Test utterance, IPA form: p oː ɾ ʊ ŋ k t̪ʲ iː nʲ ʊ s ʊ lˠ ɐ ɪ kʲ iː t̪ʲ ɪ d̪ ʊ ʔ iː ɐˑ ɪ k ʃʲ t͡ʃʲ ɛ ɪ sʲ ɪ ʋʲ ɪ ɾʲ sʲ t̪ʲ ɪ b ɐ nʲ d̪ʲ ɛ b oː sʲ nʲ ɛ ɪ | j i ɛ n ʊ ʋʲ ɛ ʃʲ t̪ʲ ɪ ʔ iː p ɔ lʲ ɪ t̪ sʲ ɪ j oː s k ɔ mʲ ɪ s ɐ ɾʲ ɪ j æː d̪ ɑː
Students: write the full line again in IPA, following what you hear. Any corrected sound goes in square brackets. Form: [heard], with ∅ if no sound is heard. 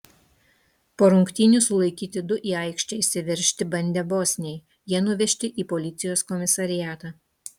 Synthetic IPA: p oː ɾ ʊ ŋ k t̪ʲ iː nʲ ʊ s ʊ lˠ ɐ ɪ kʲ iː t̪ʲ ɪ d̪ ʊ ʔ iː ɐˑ ɪ k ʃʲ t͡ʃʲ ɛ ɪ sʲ ɪ ʋʲ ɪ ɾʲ [ʃʲ] t̪ʲ ɪ b ɐ nʲ d̪ʲ ɛ b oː sʲ nʲ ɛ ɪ | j i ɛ n ʊ ʋʲ ɛ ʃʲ t̪ʲ ɪ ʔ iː p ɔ lʲ ɪ t̪ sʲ ɪ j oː s k ɔ mʲ ɪ s ɐ ɾʲ ɪ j æː [t̪] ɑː

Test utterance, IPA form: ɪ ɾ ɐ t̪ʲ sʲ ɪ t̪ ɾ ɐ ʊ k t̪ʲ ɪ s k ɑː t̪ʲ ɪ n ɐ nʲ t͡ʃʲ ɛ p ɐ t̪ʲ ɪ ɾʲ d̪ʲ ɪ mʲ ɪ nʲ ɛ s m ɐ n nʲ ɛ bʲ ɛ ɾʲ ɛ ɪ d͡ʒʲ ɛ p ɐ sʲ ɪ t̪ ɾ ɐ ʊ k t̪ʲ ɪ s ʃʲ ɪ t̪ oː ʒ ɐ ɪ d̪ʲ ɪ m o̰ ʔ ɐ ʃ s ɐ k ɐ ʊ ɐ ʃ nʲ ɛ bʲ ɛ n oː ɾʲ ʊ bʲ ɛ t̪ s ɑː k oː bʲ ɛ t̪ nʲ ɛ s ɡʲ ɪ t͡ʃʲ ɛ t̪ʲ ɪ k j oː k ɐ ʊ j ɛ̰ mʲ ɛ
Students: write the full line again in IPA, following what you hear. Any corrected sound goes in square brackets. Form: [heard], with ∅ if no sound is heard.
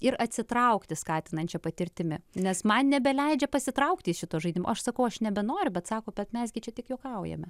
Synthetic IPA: ɪ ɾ ɐ t̪ʲ sʲ ɪ t̪ ɾ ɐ ʊ k t̪ʲ ɪ s k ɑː t̪ʲ ɪ n ɐ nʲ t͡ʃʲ ɛ p ɐ t̪ʲ ɪ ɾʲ [t̪ʲ] ɪ mʲ ɪ nʲ ɛ s m ɐ n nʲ ɛ bʲ ɛ [lʲ] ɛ ɪ d͡ʒʲ ɛ p ɐ sʲ ɪ t̪ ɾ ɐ ʊ k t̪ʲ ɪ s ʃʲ ɪ t̪ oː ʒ ɐ ɪ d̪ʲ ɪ m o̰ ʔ ɐ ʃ s ɐ k ɐ ʊ ɐ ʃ nʲ ɛ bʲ ɛ n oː ɾʲ ʊ bʲ ɛ t̪ s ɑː k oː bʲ ɛ t̪ [mʲ] ɛ s ɡʲ ɪ t͡ʃʲ ɛ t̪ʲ ɪ k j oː k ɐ ʊ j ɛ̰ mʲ ɛ

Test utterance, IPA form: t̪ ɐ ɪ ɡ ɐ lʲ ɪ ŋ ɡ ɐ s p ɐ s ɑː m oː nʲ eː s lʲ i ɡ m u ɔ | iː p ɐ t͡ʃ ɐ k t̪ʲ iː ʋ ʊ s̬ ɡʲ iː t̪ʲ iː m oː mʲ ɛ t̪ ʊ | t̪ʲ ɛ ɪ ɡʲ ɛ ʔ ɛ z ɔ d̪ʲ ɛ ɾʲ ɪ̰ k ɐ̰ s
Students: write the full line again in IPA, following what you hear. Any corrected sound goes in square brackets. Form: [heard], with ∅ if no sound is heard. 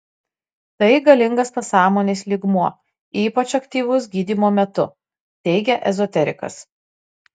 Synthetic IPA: t̪ ɐ ɪ ɡ ɐ lʲ ɪ ŋ ɡ ɐ s p ɐ s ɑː m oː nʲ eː s lʲ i ɡ m u ɔ | iː p ɐ t͡ʃ ɐ k t̪ʲ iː ʋ ʊ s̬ ɡʲ iː [d̪ʲ] iː m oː mʲ ɛ t̪ ʊ | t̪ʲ ɛ ɪ ɡʲ ɛ ʔ ɛ z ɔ [t̪ʲ] ɛ ɾʲ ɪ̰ k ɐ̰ s

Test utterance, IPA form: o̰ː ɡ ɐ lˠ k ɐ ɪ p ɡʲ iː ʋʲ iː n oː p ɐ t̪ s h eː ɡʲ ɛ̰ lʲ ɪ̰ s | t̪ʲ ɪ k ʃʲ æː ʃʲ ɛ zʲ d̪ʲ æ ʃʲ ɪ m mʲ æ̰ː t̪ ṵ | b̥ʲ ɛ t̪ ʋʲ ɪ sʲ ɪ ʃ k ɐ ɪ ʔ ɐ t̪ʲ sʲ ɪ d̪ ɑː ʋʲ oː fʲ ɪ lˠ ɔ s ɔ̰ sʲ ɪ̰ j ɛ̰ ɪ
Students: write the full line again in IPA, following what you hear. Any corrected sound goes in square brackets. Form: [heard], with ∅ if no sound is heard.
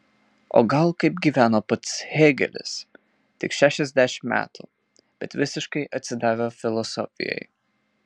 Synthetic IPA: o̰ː ɡ ɐ lˠ k ɐ ɪ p ɡʲ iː ʋʲ [æː] n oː p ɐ t̪ s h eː ɡʲ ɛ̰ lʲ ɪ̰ s | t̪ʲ ɪ k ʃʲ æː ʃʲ ɛ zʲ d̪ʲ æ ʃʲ ɪ m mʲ æ̰ː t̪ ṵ | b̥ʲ ɛ t̪ ʋʲ ɪ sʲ ɪ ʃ k ɐ ɪ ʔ ɐ t̪ʲ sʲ ɪ d̪ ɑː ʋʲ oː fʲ ɪ lˠ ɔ s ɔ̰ [fʲ] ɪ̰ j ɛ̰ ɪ

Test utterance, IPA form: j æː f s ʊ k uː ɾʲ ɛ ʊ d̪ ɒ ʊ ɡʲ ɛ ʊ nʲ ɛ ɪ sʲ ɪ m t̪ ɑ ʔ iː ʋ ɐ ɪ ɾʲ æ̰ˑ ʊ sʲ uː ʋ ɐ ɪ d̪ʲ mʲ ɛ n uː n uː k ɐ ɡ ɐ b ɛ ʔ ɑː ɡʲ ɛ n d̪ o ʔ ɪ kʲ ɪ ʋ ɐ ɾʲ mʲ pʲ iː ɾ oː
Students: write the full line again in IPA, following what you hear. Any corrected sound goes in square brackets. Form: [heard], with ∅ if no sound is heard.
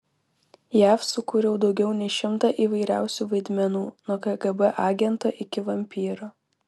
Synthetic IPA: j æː f s ʊ k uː ɾʲ ɛ ʊ d̪ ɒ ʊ ɡʲ ɛ ʊ nʲ ɛ ɪ [ʃʲ] ɪ m t̪ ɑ ʔ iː ʋ ɐ ɪ ɾʲ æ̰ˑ ʊ sʲ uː ʋ ɐ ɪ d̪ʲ mʲ ɛ n uː n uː k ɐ ɡ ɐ b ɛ ʔ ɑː ɡʲ ɛ n [t̪] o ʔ ɪ kʲ ɪ ʋ ɐ [∅] mʲ pʲ iː ɾ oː

